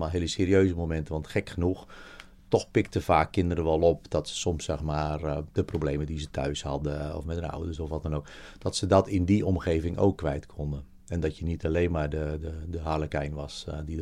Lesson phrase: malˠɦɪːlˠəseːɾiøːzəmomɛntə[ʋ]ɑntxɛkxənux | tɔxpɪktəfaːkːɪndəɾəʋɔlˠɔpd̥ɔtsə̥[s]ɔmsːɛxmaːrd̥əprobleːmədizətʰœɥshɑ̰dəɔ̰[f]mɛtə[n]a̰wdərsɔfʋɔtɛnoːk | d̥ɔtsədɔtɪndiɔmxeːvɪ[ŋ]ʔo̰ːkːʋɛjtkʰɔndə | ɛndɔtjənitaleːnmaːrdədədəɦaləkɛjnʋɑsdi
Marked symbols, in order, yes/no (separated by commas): yes, yes, yes, yes, yes